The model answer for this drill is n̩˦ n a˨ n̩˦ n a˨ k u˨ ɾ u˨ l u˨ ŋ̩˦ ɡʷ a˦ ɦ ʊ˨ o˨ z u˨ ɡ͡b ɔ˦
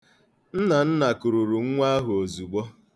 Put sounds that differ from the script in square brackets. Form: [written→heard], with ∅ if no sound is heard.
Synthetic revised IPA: n̩˦ n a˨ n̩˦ n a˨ k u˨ ɾ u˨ [l→ɾ] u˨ ŋ̩˦ [ɡʷ→ŋʷ] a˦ ɦ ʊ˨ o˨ z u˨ ɡ͡b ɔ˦